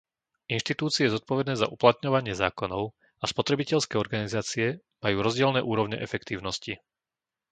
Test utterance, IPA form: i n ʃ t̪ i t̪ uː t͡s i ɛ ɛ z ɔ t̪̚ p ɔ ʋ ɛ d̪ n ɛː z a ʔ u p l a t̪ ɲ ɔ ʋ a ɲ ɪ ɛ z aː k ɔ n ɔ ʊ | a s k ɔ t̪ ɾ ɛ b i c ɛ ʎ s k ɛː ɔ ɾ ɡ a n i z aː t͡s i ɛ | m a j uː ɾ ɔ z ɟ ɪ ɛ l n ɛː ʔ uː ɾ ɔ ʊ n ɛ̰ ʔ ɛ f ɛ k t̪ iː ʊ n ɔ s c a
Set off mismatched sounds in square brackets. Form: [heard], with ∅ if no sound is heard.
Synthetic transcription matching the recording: i n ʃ t̪ i t̪ uː t͡s i ɛ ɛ z ɔ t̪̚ p ɔ ʋ ɛ d̪ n ɛː z a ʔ u p l a t̪ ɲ ɔ ʋ a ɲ ɪ ɛ z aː k ɔ n ɔ ʊ | a s [p] ɔ t̪ ɾ ɛ b i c ɛ ʎ s k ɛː ɔ ɾ ɡ a n i z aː t͡s i ɛ | m a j uː ɾ ɔ z ɟ ɪ ɛ l n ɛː ʔ uː ɾ ɔ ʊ [ɲ] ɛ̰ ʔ ɛ f ɛ k t̪ iː ʊ n ɔ s c [i]